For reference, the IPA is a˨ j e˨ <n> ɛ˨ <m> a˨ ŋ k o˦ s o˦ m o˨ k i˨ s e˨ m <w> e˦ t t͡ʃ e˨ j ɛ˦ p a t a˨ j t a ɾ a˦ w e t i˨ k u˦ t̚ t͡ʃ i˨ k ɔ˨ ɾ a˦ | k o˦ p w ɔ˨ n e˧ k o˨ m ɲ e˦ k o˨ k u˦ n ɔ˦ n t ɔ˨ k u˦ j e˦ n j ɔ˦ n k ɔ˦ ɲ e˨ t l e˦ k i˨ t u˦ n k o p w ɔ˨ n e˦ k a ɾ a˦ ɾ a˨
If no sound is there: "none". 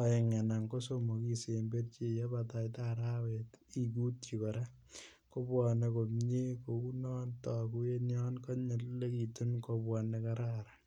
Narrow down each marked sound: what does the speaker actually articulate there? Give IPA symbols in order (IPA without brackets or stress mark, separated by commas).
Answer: ŋ, n, b